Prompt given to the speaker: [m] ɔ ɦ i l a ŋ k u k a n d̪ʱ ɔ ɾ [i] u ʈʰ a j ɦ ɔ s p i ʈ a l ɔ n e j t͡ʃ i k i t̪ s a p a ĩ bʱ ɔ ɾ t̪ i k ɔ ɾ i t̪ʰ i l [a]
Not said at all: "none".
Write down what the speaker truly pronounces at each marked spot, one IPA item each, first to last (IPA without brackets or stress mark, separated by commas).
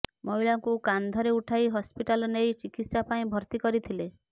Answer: m, e, e